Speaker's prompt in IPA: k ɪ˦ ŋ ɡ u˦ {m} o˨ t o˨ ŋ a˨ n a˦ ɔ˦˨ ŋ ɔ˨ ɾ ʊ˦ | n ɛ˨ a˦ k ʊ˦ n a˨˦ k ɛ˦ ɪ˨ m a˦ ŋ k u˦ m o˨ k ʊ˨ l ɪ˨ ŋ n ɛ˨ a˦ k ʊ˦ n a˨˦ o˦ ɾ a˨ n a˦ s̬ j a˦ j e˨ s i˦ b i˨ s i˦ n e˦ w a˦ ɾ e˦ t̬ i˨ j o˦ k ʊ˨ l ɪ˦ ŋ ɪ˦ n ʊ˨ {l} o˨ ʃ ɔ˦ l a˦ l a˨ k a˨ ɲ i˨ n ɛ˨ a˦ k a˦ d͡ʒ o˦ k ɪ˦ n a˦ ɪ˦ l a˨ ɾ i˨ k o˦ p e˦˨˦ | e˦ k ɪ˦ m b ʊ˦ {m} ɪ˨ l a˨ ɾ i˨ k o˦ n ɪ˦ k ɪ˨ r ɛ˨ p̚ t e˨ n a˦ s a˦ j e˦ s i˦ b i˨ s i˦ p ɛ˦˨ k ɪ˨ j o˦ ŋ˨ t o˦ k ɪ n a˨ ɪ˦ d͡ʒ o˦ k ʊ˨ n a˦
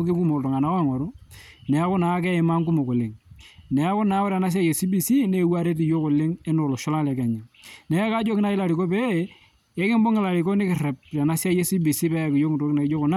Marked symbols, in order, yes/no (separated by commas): yes, yes, no